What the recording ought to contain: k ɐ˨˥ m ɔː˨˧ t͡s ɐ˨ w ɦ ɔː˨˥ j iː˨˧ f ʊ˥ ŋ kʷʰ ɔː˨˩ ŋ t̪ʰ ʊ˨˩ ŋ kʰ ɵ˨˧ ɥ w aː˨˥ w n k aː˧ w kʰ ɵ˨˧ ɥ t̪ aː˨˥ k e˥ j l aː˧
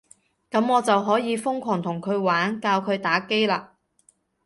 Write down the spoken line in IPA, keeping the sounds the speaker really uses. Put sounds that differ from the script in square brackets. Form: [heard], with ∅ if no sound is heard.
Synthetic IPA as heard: k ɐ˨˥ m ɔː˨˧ t͡s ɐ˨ w ɦ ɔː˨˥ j iː˨˧ f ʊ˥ ŋ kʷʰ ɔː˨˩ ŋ t̪ʰ ʊ˨˩ ŋ kʰ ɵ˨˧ ɥ w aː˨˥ [∅] n k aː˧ w kʰ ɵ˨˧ ɥ t̪ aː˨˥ k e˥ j l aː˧